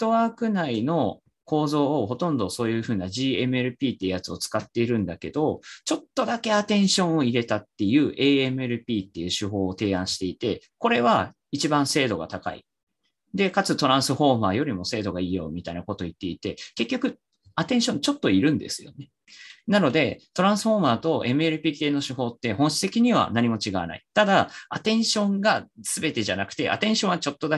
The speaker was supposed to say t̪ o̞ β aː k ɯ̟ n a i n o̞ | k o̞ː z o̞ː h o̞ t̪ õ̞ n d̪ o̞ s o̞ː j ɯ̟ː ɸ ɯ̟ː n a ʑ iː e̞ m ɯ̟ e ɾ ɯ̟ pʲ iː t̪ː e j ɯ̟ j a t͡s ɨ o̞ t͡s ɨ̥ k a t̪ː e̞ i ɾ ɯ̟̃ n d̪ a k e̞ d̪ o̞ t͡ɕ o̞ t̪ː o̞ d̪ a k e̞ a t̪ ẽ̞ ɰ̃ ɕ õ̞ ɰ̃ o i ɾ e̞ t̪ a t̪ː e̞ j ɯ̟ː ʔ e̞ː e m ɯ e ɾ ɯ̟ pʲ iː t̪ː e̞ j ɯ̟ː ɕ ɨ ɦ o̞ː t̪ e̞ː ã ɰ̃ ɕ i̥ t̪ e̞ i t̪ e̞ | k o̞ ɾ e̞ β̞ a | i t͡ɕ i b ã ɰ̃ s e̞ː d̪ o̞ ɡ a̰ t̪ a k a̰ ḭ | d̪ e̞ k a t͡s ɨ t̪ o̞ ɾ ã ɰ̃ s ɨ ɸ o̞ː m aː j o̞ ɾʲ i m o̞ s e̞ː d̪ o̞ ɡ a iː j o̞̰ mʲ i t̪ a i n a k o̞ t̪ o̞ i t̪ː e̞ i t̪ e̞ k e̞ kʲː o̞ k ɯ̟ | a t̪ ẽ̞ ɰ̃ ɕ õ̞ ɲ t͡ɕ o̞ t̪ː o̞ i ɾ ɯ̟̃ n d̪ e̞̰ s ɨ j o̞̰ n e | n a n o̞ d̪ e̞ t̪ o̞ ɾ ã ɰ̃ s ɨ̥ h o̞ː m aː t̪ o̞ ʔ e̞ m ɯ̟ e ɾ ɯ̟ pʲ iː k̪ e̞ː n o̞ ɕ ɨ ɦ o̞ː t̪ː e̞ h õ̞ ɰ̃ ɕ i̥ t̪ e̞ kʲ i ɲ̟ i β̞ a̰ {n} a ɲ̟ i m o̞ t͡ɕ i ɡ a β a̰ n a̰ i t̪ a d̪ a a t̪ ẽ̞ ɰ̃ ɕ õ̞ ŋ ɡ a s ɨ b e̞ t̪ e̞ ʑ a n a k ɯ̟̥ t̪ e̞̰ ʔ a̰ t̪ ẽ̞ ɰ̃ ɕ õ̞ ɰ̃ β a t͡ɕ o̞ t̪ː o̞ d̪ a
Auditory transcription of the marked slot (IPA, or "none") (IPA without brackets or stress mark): n